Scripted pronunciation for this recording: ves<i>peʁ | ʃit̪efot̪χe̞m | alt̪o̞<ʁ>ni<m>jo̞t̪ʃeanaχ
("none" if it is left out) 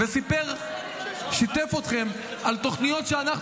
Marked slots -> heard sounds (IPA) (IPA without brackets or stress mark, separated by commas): i, χ, none